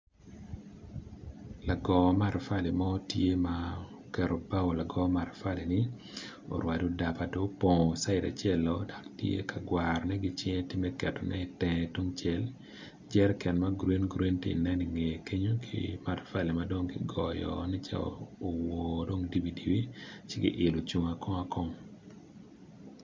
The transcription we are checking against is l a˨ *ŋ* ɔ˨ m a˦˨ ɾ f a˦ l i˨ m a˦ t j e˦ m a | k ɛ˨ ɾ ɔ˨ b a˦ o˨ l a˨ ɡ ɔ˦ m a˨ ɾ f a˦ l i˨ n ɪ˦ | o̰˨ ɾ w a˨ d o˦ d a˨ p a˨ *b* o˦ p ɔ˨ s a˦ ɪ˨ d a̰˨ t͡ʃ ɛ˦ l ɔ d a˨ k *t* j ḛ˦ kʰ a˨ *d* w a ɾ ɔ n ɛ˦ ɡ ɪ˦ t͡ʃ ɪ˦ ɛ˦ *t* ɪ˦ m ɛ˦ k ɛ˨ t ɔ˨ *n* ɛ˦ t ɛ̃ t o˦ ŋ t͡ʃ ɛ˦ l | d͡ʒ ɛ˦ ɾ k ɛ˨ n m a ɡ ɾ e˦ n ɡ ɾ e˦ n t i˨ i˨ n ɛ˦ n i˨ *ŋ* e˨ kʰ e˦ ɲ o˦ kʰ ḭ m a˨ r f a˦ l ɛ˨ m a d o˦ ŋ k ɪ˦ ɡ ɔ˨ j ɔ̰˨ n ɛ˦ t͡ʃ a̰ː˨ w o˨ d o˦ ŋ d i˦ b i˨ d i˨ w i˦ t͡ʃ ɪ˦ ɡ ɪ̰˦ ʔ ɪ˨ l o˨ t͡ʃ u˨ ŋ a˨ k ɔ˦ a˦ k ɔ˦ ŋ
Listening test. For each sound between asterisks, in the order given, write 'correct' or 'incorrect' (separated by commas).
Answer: incorrect, incorrect, correct, incorrect, correct, correct, correct